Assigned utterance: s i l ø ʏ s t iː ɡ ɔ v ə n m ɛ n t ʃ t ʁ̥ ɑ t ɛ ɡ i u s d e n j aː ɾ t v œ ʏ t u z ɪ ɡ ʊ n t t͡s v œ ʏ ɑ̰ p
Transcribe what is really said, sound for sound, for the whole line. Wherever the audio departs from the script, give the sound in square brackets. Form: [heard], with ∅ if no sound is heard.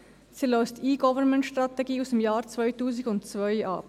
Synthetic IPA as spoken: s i l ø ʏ s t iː ɡ ɔ v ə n m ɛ n t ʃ t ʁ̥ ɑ t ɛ ɡ [iː] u s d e [m] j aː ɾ [t͡s] v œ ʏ t [uː] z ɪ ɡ ʊ n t t͡s v œ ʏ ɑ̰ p